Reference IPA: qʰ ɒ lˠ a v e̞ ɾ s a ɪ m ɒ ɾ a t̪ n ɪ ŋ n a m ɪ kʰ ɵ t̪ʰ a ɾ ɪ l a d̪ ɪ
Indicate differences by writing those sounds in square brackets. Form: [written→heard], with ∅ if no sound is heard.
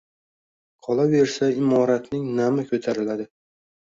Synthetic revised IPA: qʰ ɒ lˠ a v e̞ ɾ s a ɪ m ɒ ɾ a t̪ n ɪ ŋ n a m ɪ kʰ ɵ t̪ʰ a ɾ ɪ l a d̪ ɪ

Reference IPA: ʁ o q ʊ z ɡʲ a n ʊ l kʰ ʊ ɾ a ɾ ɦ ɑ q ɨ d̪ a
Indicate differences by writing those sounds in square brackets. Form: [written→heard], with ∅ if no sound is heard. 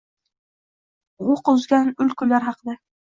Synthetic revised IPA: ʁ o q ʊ z ɡʲ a n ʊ l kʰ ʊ [ɾ→l] a ɾ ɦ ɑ q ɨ d̪ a

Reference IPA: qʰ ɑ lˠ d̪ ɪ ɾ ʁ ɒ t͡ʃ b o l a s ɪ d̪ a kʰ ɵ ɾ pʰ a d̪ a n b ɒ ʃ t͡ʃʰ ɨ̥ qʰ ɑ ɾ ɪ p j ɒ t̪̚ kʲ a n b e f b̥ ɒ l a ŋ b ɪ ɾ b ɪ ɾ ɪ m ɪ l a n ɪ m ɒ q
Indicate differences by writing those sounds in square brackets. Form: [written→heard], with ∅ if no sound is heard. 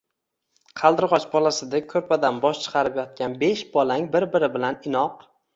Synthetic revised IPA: qʰ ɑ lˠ d̪ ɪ ɾ ʁ ɒ t͡ʃ b [o→ɒ] l a s ɪ d̪ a kʰ ɵ ɾ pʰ a d̪ a n b ɒ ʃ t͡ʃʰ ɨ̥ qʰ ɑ ɾ ɪ p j ɒ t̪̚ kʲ a n b e [f→ʃ] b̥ ɒ l a ŋ b ɪ ɾ b ɪ ɾ ɪ [m→b] ɪ l a n ɪ [m→n] ɒ q

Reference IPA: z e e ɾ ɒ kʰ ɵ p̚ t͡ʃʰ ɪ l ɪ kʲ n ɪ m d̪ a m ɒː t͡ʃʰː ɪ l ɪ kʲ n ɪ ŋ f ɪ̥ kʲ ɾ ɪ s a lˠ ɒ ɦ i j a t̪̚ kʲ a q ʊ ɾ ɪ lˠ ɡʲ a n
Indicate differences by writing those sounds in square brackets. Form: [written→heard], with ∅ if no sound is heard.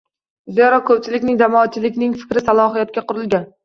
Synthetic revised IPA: z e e ɾ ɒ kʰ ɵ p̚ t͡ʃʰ ɪ l ɪ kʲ n ɪ [m→ŋ] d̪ a m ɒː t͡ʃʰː ɪ l ɪ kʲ n ɪ ŋ f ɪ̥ kʲ ɾ ɪ s a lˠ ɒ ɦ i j a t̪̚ kʲ a q ʊ ɾ ɪ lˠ ɡʲ a n

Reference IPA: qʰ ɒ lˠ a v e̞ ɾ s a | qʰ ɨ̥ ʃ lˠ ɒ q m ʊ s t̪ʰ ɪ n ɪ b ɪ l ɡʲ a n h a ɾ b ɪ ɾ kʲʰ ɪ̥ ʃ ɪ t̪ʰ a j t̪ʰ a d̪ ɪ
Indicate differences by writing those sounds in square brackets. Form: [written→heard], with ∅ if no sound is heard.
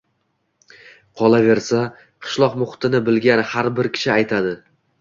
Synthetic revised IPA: qʰ ɒ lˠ a v e̞ ɾ s a | qʰ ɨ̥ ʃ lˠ ɒ q m ʊ [s→χ] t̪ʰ ɪ n ɪ b ɪ l ɡʲ a n h a ɾ b ɪ ɾ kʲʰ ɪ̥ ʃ ɪ [t̪ʰ→∅] a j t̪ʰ a d̪ ɪ

